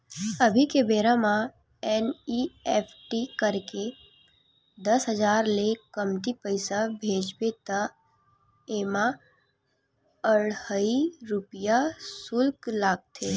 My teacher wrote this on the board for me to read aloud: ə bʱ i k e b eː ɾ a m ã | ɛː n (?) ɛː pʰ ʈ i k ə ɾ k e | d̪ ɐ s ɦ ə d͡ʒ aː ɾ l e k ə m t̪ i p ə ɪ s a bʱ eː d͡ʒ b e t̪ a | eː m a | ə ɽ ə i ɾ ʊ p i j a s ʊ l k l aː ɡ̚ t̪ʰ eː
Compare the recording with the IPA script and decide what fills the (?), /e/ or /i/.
i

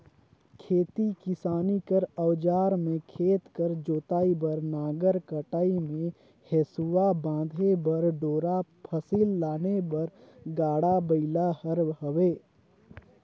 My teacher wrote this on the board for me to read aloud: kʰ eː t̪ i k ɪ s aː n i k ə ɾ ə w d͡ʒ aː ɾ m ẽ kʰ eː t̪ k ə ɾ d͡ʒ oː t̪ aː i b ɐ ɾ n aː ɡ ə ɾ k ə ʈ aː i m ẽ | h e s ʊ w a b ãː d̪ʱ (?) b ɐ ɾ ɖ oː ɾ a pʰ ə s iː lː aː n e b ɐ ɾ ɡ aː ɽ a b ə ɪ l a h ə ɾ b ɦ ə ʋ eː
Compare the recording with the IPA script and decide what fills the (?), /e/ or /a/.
e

